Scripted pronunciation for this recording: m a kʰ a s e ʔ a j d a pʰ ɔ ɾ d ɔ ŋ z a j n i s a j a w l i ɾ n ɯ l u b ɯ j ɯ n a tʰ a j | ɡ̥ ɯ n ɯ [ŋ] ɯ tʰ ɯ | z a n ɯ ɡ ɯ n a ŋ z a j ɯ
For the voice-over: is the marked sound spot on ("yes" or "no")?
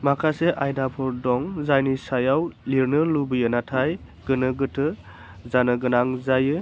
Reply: no